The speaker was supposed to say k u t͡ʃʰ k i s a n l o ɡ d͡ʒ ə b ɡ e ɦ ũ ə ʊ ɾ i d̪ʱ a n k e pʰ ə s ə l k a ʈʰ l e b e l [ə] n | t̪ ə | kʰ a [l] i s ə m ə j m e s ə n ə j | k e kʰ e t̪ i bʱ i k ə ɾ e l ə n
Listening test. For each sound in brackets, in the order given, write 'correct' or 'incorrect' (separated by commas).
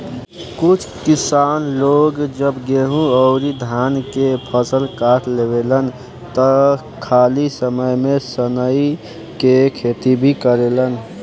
correct, correct